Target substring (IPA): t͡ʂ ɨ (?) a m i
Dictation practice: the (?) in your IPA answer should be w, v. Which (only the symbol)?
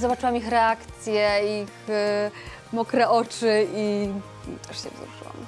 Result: w